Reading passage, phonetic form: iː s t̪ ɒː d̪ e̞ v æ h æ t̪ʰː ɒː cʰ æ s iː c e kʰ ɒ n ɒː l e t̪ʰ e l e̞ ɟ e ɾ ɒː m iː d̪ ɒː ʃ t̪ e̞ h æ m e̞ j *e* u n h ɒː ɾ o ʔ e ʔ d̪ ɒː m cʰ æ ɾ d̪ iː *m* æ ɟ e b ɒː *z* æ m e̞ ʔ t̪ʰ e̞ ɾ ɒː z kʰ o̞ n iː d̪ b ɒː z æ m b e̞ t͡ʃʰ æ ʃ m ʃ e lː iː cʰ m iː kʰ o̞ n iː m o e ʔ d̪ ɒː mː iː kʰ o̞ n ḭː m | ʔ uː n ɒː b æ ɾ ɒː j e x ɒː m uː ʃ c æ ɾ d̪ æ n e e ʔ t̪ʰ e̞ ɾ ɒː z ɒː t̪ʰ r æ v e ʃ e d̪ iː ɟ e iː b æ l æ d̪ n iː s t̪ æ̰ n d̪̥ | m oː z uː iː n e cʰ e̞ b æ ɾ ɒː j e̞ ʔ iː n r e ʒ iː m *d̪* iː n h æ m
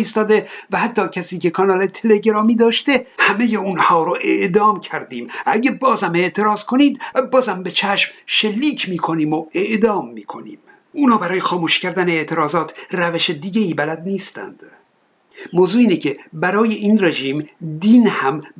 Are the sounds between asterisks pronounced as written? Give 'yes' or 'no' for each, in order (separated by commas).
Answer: yes, yes, yes, yes